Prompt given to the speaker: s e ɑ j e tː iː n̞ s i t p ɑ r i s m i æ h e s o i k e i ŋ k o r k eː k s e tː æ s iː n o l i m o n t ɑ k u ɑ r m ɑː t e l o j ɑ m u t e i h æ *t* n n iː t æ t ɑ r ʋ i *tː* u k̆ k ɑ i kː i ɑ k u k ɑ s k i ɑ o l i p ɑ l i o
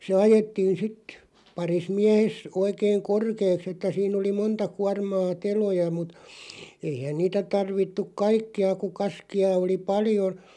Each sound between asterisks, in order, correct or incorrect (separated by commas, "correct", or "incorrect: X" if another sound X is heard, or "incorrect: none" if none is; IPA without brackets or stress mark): incorrect: none, correct